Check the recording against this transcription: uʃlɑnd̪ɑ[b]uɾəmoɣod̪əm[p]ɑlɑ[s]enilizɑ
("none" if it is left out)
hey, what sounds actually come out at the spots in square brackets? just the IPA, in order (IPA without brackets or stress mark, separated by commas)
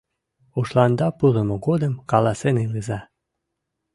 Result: p, k, s